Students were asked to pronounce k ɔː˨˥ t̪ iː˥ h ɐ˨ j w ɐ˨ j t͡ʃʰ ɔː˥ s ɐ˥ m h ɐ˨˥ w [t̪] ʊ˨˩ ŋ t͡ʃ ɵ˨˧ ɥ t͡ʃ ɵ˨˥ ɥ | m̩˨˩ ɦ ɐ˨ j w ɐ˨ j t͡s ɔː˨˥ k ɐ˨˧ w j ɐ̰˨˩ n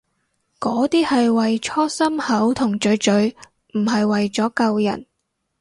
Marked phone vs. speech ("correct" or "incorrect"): incorrect